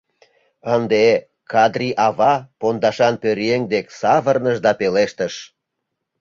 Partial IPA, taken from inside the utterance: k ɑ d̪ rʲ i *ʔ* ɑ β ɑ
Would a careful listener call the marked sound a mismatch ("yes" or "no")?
no